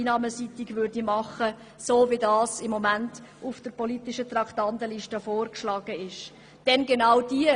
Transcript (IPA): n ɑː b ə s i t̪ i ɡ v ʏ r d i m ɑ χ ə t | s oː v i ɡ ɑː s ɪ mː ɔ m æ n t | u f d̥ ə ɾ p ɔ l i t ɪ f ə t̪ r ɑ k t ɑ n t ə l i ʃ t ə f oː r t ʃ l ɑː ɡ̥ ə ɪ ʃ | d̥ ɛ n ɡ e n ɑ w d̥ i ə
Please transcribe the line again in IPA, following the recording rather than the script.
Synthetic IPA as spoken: n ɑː m ə s i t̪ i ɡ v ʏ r d i m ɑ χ ə | s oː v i d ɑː s ɪ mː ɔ m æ n t | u f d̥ ə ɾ p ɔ l i t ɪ ʃ ə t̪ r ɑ k t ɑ n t ə l i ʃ t ə f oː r k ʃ l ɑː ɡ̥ ə ɪ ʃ | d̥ ɛ n ɡ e n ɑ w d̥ i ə